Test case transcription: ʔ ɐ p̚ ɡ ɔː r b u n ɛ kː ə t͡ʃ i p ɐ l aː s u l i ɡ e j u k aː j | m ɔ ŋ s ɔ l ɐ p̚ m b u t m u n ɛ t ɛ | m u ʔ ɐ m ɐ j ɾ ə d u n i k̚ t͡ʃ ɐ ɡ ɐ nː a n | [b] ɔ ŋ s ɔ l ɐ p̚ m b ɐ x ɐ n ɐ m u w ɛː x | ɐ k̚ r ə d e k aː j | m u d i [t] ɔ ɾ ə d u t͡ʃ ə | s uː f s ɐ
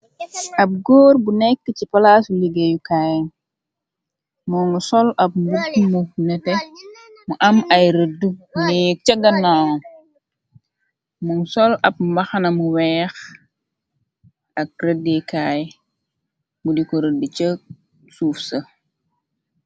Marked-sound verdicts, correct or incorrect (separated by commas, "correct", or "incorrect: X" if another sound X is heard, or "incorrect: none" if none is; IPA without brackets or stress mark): incorrect: m, incorrect: k